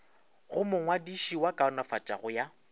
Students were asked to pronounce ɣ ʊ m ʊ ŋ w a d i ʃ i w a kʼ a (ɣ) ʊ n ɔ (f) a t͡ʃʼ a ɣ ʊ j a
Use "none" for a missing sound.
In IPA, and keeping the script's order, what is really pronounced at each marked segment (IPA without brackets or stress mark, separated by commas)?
none, f